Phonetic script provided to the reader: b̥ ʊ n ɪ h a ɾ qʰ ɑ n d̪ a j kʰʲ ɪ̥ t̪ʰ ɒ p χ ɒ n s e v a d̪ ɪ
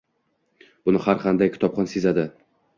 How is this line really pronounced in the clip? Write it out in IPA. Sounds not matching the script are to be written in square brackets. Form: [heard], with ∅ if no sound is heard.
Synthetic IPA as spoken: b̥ ʊ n ɪ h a ɾ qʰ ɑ n d̪ a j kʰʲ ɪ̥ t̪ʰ ɒ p χ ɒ n s e [z] a d̪ ɪ